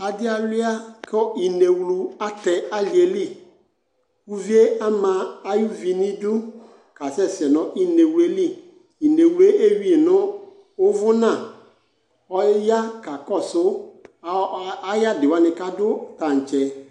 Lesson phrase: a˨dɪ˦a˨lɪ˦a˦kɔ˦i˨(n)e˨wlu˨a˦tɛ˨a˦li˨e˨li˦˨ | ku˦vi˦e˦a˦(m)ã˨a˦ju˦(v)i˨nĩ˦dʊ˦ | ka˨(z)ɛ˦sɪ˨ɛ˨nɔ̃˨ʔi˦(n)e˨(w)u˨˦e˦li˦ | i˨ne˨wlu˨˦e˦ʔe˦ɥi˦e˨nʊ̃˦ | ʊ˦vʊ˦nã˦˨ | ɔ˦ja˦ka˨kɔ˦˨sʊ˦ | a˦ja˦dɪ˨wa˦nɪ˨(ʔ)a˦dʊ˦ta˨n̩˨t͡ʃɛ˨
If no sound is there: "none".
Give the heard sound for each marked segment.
n, m, v, s, n, w, k

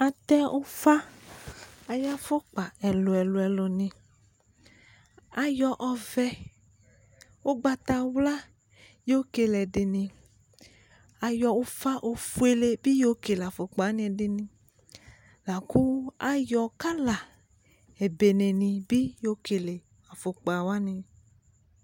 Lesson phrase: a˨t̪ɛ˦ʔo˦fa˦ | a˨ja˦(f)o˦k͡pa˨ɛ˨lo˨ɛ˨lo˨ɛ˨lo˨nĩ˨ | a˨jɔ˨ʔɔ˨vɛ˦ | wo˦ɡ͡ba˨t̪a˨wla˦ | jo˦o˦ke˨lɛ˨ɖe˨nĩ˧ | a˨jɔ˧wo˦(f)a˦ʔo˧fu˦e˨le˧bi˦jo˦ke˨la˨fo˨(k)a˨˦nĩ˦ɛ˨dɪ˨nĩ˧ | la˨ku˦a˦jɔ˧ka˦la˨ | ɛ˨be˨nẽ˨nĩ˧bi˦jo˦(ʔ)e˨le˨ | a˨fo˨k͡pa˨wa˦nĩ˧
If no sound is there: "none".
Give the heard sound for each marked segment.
f, f, k͡p, k

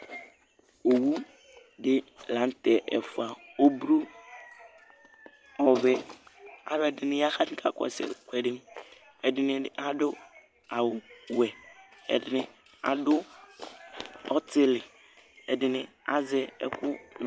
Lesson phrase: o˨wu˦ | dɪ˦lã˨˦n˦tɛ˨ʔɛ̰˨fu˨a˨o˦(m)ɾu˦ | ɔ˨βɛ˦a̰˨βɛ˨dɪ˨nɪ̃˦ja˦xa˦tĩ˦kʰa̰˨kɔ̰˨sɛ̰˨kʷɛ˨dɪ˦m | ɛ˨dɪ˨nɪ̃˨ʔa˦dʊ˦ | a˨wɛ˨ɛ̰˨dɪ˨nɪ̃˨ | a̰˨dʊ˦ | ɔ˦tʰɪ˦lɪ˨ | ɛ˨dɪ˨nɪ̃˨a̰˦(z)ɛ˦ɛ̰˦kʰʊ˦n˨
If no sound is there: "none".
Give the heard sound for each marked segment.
b, z

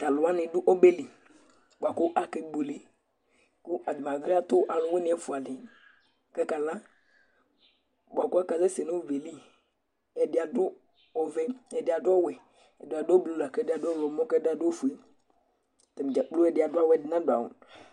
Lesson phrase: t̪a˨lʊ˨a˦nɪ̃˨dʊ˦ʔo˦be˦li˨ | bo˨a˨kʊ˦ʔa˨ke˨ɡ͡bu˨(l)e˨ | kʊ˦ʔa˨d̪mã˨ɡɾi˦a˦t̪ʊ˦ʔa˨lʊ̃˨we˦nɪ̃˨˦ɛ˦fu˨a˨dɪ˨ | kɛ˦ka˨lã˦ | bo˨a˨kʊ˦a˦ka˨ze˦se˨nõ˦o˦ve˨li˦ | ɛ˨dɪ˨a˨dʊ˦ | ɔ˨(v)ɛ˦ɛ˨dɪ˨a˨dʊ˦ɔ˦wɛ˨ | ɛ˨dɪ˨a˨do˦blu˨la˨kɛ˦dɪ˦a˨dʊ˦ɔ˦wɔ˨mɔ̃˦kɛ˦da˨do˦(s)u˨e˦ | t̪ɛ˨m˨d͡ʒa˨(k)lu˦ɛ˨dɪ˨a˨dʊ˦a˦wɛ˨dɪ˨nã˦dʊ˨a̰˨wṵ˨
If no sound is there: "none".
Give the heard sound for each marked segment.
l, v, f, k͡p

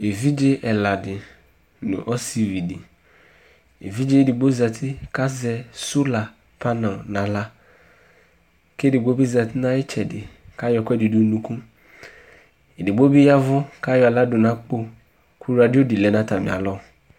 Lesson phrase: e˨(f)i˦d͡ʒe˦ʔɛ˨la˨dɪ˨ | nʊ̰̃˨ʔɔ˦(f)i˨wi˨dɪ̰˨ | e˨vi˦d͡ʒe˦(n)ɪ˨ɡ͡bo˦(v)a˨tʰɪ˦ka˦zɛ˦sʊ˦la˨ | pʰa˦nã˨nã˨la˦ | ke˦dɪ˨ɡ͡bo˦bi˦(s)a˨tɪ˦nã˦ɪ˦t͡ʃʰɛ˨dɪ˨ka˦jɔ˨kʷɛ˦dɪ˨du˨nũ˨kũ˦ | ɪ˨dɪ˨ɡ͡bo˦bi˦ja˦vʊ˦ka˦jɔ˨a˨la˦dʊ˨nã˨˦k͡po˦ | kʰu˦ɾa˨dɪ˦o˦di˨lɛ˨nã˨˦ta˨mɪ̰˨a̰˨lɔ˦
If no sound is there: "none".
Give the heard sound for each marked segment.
v, s, d, z, z

